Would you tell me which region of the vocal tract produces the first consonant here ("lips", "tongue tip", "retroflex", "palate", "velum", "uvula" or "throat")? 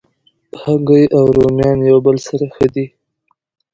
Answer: throat